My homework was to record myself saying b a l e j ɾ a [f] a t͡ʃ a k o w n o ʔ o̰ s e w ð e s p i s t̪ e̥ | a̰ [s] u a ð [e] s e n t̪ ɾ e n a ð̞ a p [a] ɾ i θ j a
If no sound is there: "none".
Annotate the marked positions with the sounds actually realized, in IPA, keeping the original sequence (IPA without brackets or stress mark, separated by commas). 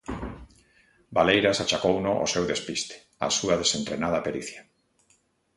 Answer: s, s, e, e